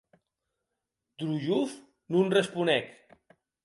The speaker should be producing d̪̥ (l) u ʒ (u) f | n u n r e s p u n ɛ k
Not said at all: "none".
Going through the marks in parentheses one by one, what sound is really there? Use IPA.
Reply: ɾ, u

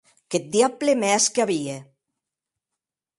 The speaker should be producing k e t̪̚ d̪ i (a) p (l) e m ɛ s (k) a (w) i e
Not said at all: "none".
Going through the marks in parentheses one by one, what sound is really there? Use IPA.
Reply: a, l, k, β

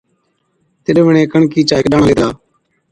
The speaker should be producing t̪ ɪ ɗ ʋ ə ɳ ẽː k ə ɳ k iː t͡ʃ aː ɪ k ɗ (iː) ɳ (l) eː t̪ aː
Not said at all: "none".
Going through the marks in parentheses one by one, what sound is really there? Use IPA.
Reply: aː, l

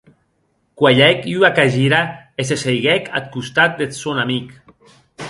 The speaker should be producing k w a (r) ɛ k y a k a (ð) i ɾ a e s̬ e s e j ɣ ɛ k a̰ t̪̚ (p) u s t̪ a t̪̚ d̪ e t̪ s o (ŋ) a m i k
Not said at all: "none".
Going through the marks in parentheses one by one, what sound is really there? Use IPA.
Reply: ʎ, ʒ, k, n

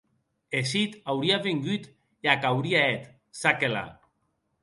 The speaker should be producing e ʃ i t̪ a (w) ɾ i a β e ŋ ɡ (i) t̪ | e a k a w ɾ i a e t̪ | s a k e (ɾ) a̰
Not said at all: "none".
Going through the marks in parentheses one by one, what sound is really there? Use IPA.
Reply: w, y, l

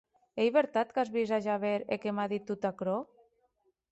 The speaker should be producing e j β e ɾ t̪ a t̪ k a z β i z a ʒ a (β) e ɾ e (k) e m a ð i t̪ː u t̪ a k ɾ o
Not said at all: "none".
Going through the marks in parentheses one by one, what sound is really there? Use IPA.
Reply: β, k

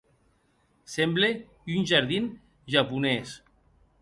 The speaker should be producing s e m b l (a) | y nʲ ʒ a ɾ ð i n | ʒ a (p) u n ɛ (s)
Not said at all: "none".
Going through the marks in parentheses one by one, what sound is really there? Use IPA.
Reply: e, p, s

